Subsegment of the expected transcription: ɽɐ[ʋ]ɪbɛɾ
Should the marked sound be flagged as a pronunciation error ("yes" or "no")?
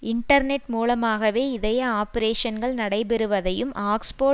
yes